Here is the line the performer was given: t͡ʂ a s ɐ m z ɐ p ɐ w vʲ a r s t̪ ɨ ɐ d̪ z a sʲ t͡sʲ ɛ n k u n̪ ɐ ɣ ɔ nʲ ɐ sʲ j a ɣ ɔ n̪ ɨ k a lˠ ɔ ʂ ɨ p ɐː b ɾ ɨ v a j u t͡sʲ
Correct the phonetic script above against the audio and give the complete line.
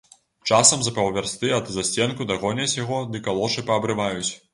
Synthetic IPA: t͡ʂ a s ɐ m z ɐ p ɐ w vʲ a r s t̪ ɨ ɐ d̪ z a sʲ t͡sʲ ɛ n k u d̪ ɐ ɣ ɔ nʲ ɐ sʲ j a ɣ ɔ d̪ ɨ k a lˠ ɔ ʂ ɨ p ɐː b ɾ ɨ v a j u t͡sʲ